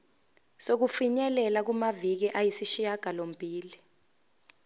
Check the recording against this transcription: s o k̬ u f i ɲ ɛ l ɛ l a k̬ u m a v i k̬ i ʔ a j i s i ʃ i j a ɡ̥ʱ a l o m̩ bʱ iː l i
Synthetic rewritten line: s o k̬ u f i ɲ ɛ l ɛ l a k̬ u m a v i k̬ i ʔ a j i s i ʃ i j a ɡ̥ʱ a l o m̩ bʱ iː l i